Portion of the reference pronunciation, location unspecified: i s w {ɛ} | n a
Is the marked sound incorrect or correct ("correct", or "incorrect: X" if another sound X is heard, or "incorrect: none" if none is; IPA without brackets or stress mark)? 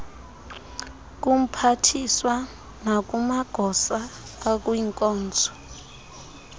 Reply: incorrect: a